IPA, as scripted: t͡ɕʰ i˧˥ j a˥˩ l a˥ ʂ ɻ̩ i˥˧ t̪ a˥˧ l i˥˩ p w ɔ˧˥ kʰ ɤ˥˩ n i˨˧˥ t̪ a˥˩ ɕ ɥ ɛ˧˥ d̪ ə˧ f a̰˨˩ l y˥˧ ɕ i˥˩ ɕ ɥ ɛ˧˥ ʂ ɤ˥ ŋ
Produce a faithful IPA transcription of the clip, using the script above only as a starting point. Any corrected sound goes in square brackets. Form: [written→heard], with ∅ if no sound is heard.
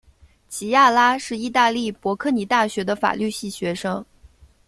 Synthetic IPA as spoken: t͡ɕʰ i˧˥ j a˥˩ l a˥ ʂ ɻ̩ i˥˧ t̪ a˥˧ l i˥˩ p w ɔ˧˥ kʰ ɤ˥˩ n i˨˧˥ t̪ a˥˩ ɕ ɥ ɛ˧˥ d̪ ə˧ f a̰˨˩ l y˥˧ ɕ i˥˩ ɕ ɥ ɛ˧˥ ʂ ɤ˥ ŋ